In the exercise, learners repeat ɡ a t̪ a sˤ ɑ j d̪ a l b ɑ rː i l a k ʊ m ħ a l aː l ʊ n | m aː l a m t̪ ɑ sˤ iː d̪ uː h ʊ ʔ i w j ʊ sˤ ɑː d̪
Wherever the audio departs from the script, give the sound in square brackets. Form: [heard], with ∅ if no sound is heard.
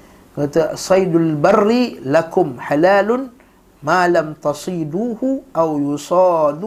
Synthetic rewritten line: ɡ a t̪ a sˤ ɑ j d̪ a l b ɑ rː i l a k ʊ m ħ a l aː l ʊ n | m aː l a m t̪ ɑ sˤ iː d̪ uː h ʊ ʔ [a] w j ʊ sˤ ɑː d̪